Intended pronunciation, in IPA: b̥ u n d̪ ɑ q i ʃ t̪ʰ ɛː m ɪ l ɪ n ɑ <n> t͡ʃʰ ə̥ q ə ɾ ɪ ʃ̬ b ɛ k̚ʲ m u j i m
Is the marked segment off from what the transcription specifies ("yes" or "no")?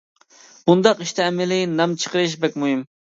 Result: yes